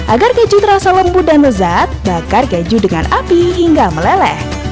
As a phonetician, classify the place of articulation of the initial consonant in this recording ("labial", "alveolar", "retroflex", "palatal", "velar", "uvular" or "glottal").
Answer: glottal